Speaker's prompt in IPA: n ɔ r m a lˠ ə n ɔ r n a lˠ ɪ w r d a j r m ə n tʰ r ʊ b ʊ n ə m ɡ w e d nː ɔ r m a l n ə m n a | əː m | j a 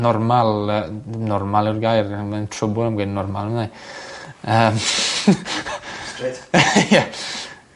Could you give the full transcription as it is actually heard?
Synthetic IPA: n ɔ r m a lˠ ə n ɔ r m a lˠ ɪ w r ɡ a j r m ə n tʰ r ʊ b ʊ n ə m ɡ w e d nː ɔ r m a l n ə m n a | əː m | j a